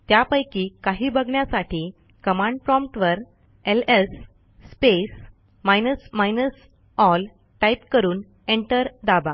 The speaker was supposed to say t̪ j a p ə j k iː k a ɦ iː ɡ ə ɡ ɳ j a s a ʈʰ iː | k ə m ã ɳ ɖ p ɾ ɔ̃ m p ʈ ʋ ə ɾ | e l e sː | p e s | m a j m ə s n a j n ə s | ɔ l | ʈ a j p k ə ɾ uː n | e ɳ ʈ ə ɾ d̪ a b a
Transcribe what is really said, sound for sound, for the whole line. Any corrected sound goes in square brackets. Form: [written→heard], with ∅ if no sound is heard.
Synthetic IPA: t̪ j a p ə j k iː k a ɦ iː [ɡ→b] ə ɡ ɳ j a s a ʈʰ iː | k ə m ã ɳ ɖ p ɾ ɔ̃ m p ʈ ʋ ə ɾ | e l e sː | p e s | m a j [m→n] ə s [n→m] a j n ə s | ɔ l | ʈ a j p k ə ɾ uː n | e ɳ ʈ ə ɾ d̪ a b a